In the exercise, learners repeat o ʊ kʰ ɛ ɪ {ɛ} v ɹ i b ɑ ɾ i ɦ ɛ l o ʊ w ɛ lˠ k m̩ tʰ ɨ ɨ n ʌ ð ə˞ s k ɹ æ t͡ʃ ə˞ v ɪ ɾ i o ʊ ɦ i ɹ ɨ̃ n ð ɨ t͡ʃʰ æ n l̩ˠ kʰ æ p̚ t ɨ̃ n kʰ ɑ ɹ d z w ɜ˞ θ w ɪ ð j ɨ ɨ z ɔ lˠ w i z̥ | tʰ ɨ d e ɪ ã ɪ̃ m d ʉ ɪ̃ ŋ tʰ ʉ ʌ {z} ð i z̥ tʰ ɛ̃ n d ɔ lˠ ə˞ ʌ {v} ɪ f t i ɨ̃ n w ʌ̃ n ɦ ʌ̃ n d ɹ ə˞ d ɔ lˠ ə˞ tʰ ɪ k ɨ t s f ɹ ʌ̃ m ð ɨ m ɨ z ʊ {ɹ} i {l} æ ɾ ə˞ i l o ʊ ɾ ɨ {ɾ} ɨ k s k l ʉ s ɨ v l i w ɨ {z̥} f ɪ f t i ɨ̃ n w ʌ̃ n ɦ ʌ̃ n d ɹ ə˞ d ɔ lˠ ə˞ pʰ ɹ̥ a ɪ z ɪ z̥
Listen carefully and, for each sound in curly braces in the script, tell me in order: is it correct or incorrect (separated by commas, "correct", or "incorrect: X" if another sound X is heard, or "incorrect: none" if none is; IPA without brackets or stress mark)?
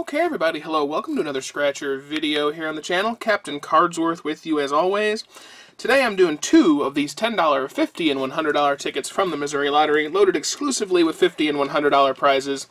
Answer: correct, incorrect: v, incorrect: f, correct, correct, correct, incorrect: ð̥